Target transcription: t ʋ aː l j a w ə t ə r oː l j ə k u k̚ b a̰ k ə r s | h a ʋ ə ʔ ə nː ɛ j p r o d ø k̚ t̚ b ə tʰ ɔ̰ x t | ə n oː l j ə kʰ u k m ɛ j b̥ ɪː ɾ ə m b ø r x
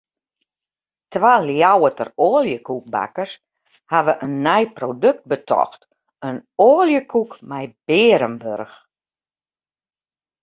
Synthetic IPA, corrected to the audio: t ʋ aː l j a w ə t ə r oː l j ə k u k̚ b a̰ k ə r s | h a ʋ ə ʔ ə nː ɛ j p r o d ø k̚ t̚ b ə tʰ ɔ̰ x t | ə n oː l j ə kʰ u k m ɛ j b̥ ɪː ɾ ə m b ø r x